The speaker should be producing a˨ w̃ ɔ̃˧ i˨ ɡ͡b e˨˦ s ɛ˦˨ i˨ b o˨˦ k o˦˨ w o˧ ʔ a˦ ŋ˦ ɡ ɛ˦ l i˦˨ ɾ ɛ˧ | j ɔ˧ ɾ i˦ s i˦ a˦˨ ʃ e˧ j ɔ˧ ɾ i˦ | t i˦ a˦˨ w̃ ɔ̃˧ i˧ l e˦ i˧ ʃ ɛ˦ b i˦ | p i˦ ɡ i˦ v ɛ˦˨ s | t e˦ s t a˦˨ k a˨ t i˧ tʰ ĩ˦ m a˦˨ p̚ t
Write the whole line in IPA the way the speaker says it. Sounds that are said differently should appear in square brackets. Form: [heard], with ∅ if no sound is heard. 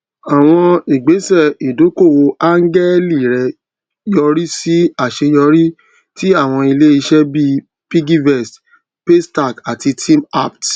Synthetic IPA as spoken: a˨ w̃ ɔ̃˧ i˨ ɡ͡b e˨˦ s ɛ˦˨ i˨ [d] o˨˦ k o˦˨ w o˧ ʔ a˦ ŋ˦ ɡ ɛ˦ l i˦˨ ɾ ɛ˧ | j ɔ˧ ɾ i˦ s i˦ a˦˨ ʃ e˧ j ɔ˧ ɾ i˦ | t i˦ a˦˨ w̃ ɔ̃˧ i˧ l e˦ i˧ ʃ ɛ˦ b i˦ | p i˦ ɡ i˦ v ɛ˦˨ s | [p] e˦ s t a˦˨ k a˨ t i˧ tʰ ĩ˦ m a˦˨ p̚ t